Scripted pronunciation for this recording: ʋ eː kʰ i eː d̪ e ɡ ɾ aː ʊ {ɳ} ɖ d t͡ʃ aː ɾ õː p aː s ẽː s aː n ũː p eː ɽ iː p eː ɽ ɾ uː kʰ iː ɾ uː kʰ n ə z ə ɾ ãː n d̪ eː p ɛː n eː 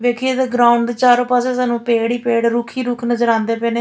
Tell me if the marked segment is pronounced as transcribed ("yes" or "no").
yes